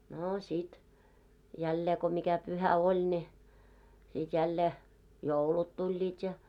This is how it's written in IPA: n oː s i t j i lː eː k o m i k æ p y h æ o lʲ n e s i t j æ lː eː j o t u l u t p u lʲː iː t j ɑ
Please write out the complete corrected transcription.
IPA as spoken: n oː s i t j æ lː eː k o m i k æ p y h æ o lʲ n e s i t j æ lː eː j o u l u t t u lʲː iː t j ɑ